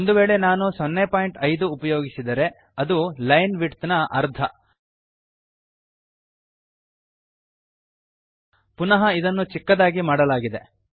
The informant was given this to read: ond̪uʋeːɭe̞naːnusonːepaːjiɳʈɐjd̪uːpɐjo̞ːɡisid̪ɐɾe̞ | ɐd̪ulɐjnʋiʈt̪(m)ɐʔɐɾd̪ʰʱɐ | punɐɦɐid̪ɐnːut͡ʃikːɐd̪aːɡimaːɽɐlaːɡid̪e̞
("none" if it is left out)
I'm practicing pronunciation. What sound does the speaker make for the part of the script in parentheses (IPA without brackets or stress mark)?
n